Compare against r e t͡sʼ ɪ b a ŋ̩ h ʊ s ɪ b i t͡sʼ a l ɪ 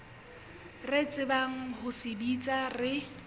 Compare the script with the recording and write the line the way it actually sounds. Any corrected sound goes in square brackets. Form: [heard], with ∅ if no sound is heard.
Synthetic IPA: r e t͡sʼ ɪ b a ŋ̩ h ʊ s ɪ b i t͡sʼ a [r] ɪ